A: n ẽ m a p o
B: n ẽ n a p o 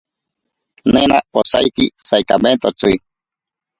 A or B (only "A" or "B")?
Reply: B